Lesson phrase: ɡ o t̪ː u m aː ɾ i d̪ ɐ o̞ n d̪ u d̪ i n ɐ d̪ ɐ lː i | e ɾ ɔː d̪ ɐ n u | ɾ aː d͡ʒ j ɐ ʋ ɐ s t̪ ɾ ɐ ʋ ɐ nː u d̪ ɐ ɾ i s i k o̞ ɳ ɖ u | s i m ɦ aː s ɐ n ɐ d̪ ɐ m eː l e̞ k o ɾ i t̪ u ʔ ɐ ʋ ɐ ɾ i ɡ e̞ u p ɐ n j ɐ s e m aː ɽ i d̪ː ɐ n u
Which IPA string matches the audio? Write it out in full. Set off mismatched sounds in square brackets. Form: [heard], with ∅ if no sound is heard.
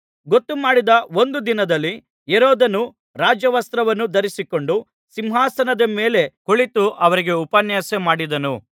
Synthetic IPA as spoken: ɡ o t̪ː u m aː [ɽ] i d̪ ɐ o̞ n d̪ u d̪ i n ɐ d̪ ɐ lː i | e ɾ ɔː d̪ ɐ n u | ɾ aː d͡ʒ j ɐ ʋ ɐ s t̪ ɾ ɐ ʋ ɐ nː u d̪ ɐ ɾ i s i k o̞ ɳ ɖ u | s i m ɦ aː s ɐ n ɐ d̪ ɐ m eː l e̞ k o [ɭ] i t̪ u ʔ ɐ ʋ ɐ ɾ i ɡ e̞ u p ɐ n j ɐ s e m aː ɽ i [d̪] ɐ n u